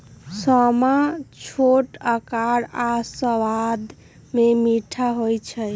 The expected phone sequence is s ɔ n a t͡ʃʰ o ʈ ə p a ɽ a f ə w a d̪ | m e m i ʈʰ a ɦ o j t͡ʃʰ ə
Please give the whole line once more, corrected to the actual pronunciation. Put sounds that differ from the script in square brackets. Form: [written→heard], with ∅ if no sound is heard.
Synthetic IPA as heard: s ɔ [n→m] a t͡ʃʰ o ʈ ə [p→k] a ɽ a [f→s] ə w a d̪ | m e m i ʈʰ a ɦ o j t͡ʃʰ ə